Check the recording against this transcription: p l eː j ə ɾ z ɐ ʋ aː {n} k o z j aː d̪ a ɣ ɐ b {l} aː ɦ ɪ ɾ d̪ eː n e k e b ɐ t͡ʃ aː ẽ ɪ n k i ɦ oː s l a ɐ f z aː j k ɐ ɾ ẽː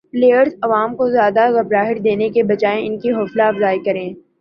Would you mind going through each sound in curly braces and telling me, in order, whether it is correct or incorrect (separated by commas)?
incorrect, incorrect